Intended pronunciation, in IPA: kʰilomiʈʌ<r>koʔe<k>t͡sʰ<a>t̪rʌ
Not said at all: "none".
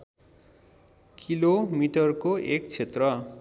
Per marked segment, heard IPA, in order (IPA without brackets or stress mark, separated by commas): r, k, e